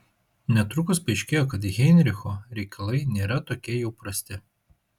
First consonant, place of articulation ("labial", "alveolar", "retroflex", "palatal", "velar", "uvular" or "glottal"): alveolar